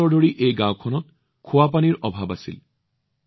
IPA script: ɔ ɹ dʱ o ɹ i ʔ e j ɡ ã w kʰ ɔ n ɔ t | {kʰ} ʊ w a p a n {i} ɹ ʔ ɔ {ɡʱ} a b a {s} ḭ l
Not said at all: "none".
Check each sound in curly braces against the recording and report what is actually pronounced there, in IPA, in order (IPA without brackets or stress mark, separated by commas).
kʰ, i, bʱ, s